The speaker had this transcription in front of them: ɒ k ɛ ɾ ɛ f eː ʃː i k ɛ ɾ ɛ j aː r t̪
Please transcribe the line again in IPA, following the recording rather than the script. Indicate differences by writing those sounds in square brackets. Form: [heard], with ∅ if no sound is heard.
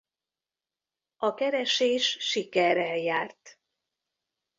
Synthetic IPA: ɒ k ɛ ɾ ɛ [ʃ] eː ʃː i k ɛ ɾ ɛ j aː r t̪